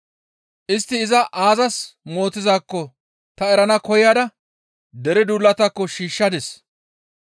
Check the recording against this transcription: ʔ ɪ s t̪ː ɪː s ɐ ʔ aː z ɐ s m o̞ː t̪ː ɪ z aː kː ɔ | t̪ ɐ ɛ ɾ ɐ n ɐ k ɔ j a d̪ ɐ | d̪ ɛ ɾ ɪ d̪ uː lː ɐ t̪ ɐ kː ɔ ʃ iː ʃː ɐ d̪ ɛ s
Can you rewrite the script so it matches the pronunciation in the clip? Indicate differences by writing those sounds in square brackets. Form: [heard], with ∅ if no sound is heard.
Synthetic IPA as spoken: ʔ ɪ s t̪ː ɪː [z] ɐ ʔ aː z ɐ s m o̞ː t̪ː ɪ z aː kː ɔ | t̪ ɐ ɛ ɾ ɐ n ɐ k ɔ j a d̪ ɐ | d̪ ɛ ɾ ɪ d̪ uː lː ɐ t̪ ɐ kː ɔ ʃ iː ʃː ɐ d̪ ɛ s

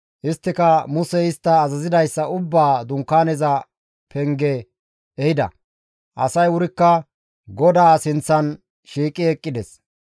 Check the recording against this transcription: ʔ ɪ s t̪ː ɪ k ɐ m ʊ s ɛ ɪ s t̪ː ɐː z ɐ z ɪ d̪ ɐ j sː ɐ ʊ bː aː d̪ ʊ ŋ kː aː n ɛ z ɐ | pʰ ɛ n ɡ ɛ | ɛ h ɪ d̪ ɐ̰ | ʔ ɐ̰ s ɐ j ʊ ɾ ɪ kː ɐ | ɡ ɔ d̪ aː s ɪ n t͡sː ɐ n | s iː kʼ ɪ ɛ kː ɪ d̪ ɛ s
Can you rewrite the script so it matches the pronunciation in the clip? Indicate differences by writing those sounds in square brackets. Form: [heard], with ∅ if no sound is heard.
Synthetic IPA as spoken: ʔ ɪ s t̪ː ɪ k ɐ m ʊ s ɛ ɪ s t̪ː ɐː z ɐ z ɪ d̪ ɐ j sː ɐ ʊ bː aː d̪ ʊ ŋ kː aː n ɛ z ɐ | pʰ ɛ [ŋ] ɡ ɛ | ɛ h ɪ d̪ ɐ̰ | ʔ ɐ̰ s ɐ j ʊ ɾ ɪ kː ɐ | ɡ ɔ d̪ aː s ɪ n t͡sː ɐ n | [ʃ] iː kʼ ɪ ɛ [kʼː] ɪ d̪ ɛ s

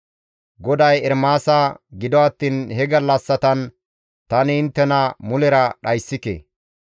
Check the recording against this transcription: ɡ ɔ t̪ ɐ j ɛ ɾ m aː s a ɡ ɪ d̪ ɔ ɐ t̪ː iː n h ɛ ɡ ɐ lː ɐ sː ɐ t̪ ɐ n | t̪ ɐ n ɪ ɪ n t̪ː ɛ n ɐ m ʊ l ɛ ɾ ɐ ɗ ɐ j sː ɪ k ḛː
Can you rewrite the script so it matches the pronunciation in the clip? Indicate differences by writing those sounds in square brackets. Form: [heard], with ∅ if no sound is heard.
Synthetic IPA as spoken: ɡ ɔ [d̪] ɐ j ɛ ɾ m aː s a ɡ ɪ d̪ ɔ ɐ t̪ː iː n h ɛ ɡ ɐ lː ɐ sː ɐ t̪ ɐ n | t̪ ɐ n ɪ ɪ n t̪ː ɛ n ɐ m ʊ l ɛ ɾ ɐ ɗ ɐ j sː ɪ k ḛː

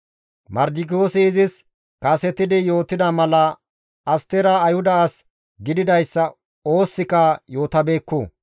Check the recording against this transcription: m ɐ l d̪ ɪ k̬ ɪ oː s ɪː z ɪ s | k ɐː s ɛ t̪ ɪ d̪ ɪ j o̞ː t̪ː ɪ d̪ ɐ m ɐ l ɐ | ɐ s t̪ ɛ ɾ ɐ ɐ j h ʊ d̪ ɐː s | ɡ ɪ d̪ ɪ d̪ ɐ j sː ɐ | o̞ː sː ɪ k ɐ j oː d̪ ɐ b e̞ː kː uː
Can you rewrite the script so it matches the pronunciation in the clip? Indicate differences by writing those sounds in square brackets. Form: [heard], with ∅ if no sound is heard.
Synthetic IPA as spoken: m ɐ [ɾ] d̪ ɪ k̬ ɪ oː s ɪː z ɪ s | k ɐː s ɛ t̪ ɪ d̪ ɪ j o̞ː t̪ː ɪ d̪ ɐ m ɐ l ɐ | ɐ s t̪ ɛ ɾ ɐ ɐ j h ʊ d̪ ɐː s | ɡ ɪ d̪ ɪ d̪ ɐ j sː ɐ | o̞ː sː ɪ k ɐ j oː [t̪] ɐ b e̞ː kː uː

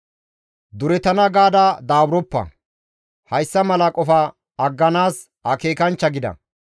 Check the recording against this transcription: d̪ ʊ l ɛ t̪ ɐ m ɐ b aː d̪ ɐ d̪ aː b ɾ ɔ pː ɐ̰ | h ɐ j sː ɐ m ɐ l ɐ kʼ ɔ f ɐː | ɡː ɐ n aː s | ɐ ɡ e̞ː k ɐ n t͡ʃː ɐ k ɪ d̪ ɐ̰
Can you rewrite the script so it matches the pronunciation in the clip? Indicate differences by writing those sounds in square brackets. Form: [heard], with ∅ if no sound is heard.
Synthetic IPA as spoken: d̪ ʊ [ɾ] ɛ t̪ ɐ [n] ɐ [ɡ] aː d̪ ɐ d̪ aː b ɾ ɔ pː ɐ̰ | h ɐ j sː ɐ m ɐ l ɐ kʼ ɔ f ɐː | ɡː ɐ n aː s | ɐ [k] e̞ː k ɐ n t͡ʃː ɐ [ɡ] ɪ d̪ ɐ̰

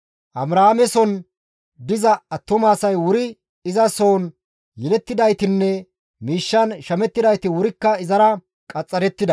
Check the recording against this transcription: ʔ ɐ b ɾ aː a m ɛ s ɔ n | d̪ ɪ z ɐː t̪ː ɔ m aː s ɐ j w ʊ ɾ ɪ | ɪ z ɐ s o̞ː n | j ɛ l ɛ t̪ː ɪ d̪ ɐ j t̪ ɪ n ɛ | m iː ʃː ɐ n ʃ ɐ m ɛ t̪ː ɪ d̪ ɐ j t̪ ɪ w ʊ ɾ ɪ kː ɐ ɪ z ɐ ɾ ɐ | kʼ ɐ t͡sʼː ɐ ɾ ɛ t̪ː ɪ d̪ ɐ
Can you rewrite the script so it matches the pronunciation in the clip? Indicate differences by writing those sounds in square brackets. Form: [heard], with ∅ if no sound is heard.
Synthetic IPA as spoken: ʔ ɐ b ɾ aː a m ɛ s ɔ n | d̪ ɪ z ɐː t̪ː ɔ m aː s ɐ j w ʊ ɾ ɪ | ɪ z ɐ s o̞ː n | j ɛ l ɛ t̪ː ɪ d̪ ɐ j t̪ ɪ [nː] ɛ | m iː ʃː ɐ n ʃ ɐ m ɛ t̪ː ɪ d̪ ɐ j t̪ ɪ w ʊ ɾ ɪ kː ɐ ɪ z ɐ ɾ ɐ | kʼ ɐ t͡sʼː ɐ ɾ ɛ t̪ː ɪ d̪ ɐ

